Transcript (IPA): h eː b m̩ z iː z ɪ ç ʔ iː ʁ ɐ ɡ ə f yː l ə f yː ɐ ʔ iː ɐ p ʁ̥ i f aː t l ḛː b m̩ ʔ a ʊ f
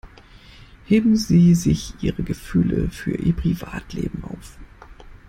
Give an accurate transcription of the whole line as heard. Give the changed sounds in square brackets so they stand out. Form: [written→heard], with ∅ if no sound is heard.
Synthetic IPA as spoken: h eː b m̩ z iː z ɪ ç ʔ iː ʁ [ɐ→ə] ɡ ə f yː l ə f yː ɐ ʔ iː ɐ p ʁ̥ i [f→v] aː t l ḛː b m̩ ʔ a ʊ f